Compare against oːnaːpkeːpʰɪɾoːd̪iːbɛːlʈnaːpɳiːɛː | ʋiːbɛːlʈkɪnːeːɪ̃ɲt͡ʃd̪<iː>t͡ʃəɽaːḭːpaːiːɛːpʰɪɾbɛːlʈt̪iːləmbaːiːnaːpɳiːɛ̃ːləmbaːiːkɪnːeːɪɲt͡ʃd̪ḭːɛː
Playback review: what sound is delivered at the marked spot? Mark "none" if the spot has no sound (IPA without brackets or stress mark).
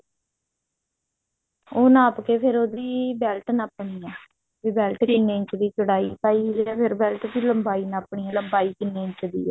iː